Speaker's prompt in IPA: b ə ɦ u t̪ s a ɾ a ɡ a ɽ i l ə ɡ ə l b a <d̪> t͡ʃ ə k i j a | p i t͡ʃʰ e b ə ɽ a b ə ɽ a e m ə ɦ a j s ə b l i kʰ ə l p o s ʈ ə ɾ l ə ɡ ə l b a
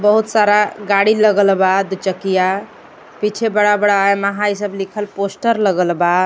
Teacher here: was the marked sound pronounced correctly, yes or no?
yes